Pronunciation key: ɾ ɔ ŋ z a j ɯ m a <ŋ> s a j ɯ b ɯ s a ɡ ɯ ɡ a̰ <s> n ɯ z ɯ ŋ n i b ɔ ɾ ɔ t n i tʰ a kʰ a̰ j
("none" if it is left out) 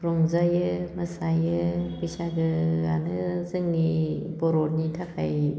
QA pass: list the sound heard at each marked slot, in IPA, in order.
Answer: none, none

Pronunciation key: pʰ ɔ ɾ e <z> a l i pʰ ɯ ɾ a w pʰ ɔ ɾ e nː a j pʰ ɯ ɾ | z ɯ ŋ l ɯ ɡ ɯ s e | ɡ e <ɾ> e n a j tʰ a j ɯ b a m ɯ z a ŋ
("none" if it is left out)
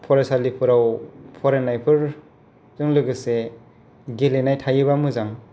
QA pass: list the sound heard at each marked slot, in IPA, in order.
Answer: s, l

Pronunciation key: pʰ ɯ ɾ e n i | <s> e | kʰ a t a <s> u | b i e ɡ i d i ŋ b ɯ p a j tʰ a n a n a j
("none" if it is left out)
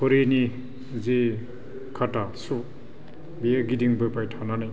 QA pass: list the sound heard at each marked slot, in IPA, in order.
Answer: z, s

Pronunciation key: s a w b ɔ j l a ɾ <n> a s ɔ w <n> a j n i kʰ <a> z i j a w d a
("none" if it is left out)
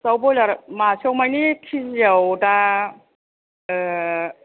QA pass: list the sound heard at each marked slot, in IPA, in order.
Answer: m, m, i

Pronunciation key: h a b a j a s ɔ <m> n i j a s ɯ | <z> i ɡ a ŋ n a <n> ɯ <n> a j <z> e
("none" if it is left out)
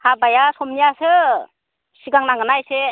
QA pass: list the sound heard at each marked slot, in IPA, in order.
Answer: m, s, ŋ, n, s

